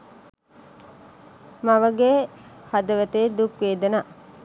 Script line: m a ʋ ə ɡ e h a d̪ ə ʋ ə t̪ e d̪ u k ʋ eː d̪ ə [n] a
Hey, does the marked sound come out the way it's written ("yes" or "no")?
yes